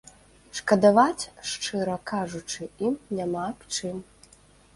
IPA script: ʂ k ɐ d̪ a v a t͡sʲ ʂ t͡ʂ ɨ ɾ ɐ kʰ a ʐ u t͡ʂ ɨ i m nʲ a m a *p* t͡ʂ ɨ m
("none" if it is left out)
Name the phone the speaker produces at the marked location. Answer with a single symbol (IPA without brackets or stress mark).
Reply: p